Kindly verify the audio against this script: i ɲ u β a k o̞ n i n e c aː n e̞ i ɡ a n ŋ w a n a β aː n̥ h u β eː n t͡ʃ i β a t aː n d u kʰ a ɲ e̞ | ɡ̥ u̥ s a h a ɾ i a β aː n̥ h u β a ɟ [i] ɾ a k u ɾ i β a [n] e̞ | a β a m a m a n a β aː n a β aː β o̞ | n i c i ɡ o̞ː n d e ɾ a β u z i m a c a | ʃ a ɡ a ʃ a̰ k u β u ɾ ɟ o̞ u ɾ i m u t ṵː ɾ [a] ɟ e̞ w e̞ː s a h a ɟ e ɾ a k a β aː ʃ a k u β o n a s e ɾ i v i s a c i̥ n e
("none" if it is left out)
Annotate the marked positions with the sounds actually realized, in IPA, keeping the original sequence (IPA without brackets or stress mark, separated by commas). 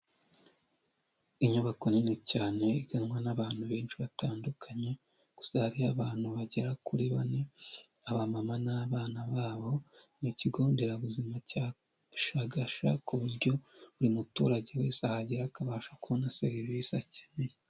e, n, a